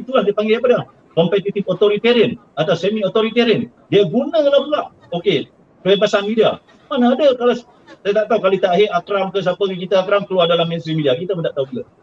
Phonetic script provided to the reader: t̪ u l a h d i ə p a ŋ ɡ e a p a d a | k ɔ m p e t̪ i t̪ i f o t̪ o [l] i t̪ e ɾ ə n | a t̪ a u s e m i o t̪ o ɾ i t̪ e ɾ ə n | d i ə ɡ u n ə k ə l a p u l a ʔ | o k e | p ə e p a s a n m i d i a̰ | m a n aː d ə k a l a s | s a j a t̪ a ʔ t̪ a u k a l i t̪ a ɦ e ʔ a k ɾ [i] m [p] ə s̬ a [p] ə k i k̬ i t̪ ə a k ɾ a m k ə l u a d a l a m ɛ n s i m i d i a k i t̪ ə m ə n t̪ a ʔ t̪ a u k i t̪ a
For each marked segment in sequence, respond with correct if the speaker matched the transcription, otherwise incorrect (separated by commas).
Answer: incorrect, incorrect, incorrect, correct